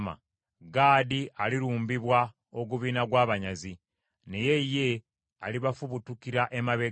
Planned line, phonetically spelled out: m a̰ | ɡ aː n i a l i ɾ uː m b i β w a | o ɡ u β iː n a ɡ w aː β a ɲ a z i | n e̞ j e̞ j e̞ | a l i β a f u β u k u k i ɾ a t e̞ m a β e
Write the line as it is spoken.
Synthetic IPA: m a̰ | ɡ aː d i a l i ɾ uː m b i β w a | o ɡ u β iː n a ɡ w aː β a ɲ a z i | n e̞ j e̞ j e̞ | a l i β a f u β u t u k i ɾ a ʔ e̞ m a β e